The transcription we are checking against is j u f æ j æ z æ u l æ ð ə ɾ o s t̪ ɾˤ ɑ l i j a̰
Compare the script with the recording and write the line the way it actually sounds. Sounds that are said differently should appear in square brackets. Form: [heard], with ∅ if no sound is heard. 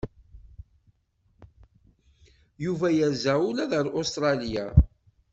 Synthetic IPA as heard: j u [v] æ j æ z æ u l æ ð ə ɾ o s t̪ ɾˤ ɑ l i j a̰